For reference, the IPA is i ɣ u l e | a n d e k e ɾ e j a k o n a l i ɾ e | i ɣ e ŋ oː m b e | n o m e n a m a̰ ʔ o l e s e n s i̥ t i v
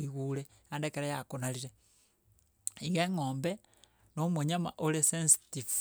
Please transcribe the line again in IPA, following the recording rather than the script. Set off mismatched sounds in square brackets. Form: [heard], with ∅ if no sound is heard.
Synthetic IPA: i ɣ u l e | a n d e k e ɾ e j a k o n a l i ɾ e | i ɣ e ŋ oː m b e | n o m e [ɲ] a m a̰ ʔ o l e s e n s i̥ t i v